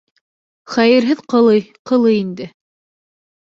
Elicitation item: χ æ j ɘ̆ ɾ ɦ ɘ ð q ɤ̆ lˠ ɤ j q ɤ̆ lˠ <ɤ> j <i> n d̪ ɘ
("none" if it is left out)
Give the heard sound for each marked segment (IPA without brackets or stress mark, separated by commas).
ɤ, i